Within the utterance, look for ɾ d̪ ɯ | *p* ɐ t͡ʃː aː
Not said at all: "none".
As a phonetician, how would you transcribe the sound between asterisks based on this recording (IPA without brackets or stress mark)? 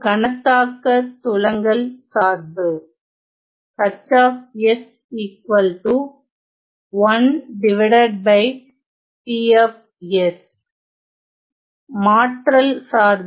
k